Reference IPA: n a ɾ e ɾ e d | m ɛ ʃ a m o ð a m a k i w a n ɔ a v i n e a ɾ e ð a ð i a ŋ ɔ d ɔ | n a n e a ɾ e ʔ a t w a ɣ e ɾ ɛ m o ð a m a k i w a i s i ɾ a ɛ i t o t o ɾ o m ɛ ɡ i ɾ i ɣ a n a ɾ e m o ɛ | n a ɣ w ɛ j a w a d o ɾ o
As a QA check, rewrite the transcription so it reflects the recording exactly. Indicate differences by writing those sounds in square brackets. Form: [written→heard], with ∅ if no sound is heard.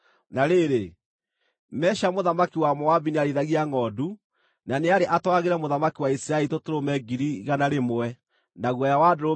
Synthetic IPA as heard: n a ɾ e ɾ e [d→∅] | m ɛ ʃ a m o ð a m a k i w a [n→m] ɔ a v i n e a ɾ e ð a [ð→ɣ] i a ŋ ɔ d [ɔ→u] | n a n e a ɾ e ʔ a t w a ɣ e ɾ ɛ m o ð a m a k i w a i s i ɾ a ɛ i t o t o ɾ o m ɛ ɡ i ɾ i ɣ a n a ɾ e m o ɛ | n a ɣ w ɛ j a w a d o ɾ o